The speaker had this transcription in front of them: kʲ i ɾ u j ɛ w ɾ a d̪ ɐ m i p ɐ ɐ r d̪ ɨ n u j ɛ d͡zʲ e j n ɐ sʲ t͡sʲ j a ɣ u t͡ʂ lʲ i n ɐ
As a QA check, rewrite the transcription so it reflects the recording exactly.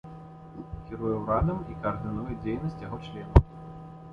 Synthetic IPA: kʲ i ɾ u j ɛ w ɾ a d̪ ɐ m i k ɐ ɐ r d̪ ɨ n u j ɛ d͡zʲ e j n ɐ sʲ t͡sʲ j a ɣ ɔ t͡ʂ lʲ ɛ n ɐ